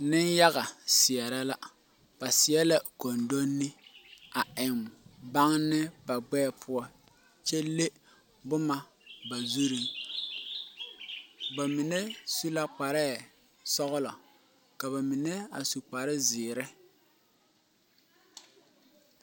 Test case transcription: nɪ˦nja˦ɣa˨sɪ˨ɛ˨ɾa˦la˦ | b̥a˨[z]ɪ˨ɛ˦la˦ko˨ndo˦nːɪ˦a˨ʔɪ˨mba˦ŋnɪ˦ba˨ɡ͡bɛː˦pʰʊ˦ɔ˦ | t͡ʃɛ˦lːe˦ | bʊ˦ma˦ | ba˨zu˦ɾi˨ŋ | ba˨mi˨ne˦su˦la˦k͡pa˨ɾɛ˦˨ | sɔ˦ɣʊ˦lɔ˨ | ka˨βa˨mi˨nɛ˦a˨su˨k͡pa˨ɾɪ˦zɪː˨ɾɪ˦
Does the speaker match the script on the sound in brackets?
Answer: no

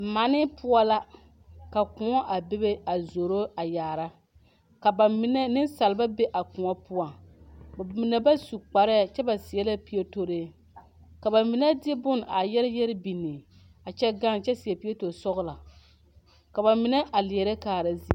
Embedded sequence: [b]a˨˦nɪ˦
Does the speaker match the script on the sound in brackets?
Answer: no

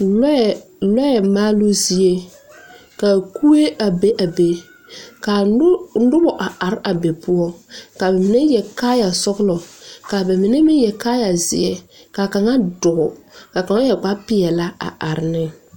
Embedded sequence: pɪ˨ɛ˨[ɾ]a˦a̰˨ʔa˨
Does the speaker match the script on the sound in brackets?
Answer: no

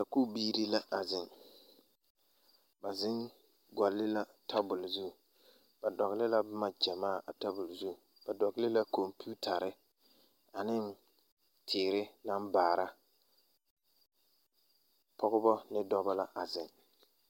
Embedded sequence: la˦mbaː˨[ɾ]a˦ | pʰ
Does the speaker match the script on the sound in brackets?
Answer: yes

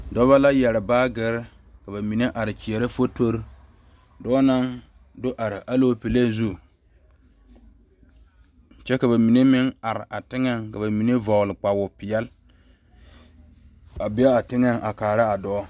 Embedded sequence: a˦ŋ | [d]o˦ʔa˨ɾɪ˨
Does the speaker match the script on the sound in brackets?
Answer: yes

